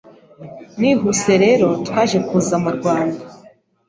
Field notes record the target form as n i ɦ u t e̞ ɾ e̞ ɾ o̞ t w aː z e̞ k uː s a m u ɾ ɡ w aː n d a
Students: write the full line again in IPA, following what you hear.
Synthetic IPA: n i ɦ u s e̞ ɾ e̞ ɾ o̞ t w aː ʒ e̞ k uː z a m u ɾ ɡ w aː n d a